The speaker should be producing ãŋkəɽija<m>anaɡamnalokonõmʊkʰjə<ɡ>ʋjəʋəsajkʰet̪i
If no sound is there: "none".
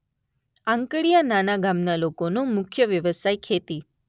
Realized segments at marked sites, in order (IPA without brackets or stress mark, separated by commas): n, none